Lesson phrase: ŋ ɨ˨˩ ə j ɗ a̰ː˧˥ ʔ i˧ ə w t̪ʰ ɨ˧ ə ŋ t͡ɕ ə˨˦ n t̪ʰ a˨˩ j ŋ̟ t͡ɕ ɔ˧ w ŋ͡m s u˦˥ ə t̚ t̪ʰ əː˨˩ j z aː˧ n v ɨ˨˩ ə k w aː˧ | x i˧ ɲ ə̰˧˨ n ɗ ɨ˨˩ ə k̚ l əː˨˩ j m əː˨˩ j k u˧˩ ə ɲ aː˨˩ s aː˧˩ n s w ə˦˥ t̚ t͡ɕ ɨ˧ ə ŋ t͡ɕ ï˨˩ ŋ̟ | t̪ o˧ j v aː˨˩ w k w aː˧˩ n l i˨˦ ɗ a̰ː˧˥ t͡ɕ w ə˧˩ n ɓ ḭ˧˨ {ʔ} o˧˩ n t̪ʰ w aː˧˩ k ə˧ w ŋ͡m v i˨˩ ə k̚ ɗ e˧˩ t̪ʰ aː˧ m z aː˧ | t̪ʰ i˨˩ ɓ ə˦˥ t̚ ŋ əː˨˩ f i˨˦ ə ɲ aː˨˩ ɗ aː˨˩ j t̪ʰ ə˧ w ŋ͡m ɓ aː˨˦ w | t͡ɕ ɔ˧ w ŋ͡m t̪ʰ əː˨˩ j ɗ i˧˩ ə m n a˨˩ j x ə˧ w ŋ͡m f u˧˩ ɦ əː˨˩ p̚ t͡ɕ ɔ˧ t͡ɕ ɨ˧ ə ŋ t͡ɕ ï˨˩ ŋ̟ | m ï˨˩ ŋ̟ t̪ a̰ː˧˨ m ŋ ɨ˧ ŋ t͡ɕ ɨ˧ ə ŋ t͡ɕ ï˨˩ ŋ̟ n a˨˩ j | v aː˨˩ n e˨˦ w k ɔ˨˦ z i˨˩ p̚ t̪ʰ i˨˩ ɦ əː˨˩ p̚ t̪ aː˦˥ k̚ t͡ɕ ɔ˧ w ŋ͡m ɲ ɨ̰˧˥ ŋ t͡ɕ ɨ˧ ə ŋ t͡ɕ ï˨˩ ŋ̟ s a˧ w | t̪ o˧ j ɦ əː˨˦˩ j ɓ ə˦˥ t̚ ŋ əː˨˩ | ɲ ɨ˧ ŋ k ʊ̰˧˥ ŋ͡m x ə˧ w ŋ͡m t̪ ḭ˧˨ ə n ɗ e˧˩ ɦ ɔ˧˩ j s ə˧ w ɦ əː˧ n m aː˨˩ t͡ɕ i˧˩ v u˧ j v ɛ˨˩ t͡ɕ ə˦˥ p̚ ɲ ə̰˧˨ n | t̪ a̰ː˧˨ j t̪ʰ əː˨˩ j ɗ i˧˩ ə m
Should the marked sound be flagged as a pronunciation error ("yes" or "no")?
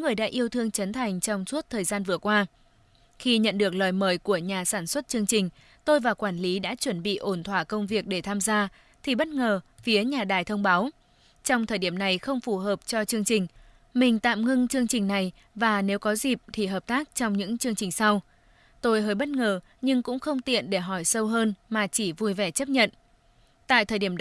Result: no